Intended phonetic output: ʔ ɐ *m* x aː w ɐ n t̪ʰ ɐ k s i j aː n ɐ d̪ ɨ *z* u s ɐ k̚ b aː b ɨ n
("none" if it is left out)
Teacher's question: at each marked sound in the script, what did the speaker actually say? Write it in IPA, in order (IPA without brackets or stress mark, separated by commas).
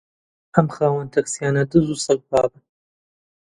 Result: m, z